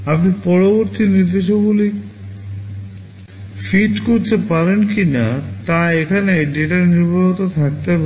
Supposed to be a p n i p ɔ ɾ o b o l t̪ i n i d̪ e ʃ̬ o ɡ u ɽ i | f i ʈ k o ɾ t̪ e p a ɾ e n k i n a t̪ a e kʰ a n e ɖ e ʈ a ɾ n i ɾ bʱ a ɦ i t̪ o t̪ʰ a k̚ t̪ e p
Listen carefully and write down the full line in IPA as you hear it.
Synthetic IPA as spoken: a p n i p ɔ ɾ o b o ɾ t̪ i n i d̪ e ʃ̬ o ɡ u l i | f i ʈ k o ɾ t̪ e p a ɾ e n k i n a t̪ a e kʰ a n e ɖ e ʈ a ɾ n i ɾ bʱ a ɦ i t̪ o t̪ʰ a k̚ t̪ e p